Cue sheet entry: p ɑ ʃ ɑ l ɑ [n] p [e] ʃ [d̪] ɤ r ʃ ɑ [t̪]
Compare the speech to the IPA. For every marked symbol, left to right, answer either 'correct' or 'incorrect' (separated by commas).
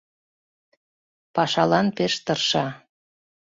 correct, correct, incorrect, incorrect